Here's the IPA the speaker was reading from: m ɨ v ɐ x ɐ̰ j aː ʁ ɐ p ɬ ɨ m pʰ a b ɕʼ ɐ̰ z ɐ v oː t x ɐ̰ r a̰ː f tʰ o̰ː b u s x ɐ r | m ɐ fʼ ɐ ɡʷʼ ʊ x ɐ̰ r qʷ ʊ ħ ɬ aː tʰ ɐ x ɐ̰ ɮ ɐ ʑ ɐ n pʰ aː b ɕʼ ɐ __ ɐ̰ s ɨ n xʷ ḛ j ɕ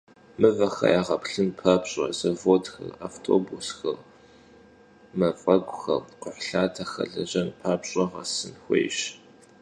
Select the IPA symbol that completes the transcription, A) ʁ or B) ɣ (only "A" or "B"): A